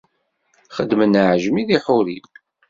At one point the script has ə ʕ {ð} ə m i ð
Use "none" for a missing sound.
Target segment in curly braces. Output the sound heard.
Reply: ʒ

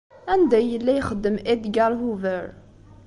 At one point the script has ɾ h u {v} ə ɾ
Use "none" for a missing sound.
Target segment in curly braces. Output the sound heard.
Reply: v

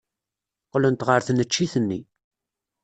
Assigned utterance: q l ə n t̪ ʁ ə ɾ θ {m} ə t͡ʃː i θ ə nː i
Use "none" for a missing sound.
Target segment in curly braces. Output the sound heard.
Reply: n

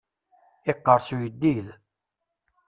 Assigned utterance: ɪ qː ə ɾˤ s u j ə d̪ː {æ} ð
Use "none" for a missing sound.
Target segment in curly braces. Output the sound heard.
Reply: i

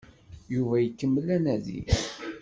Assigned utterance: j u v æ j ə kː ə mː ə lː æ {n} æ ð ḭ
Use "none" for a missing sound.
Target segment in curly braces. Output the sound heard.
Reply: n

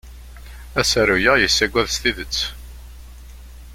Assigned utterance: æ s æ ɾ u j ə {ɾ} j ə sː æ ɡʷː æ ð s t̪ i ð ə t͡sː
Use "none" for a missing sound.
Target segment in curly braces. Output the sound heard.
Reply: none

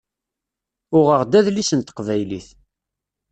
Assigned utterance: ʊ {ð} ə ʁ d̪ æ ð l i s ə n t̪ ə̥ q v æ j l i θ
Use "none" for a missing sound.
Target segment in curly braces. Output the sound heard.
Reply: ʁ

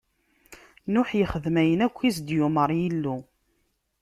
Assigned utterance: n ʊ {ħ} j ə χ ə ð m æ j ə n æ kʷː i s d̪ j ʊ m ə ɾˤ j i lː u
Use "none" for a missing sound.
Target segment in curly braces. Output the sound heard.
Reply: ħ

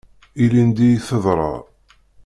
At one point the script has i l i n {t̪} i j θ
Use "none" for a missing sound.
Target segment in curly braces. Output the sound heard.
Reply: d̪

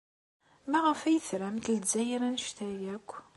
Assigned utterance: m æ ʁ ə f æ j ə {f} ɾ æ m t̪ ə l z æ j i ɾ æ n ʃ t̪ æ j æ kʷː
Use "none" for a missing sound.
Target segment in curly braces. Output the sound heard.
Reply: θ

